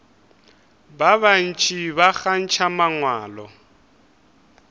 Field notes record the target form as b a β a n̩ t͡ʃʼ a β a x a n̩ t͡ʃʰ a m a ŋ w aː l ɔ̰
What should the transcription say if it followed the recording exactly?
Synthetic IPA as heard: b a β a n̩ t͡ʃʼ i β a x a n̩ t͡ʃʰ a m a ŋ w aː l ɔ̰

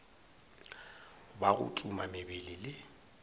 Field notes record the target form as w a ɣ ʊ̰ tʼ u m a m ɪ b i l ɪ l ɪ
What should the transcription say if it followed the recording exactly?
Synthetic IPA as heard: b a ɣ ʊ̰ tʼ u m a m ɪ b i l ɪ l ɪ

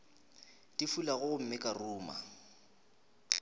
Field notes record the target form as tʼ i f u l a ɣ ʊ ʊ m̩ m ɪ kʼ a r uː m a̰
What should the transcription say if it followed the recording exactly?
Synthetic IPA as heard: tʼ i f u l a ɣ ʊ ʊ m̩ m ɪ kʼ a r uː m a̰

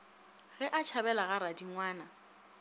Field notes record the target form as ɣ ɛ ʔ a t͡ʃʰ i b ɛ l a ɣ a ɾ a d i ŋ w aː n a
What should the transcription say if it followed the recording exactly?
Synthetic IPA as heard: ɣ ɛ ʔ a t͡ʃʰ a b ɛ l a ɣ a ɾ a d i ŋ w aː n a

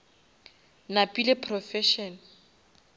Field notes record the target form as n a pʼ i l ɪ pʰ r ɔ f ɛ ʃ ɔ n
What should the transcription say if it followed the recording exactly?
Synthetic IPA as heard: n a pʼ i l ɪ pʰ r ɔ f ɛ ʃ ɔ n

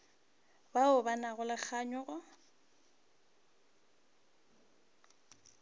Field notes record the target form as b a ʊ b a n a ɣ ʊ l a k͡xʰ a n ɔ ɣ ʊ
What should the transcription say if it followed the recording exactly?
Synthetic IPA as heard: b a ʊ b a n a ɣ ʊ l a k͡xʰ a ɲ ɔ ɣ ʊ

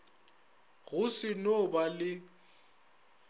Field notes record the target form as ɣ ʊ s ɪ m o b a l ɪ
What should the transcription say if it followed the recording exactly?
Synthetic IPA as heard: ɣ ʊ s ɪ n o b a l ɪ

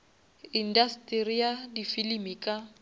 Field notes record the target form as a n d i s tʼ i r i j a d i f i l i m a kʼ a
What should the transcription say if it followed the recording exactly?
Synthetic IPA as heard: i n d a s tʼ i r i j a d i f i l i m i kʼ a

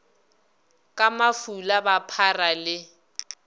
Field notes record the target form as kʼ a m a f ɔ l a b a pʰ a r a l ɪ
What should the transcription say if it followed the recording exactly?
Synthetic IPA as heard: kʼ a m a f u l a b a pʰ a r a l ɪ

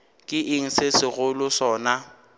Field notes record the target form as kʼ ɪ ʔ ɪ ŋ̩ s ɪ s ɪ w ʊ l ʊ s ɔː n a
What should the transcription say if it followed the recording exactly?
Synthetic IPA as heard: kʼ ɪ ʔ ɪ ŋ̩ s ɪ s ɪ ɣ ʊ l ʊ s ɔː n a

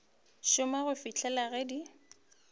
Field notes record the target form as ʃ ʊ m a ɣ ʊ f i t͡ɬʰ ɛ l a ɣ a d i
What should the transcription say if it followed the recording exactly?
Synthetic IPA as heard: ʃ ʊ m a ɣ ʊ f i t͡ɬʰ ɛ l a ɣ ɛ d i

